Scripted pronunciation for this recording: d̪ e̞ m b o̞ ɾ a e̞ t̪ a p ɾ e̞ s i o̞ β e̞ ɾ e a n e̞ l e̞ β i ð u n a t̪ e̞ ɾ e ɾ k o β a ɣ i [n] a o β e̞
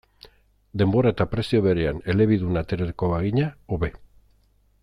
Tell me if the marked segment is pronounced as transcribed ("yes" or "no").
no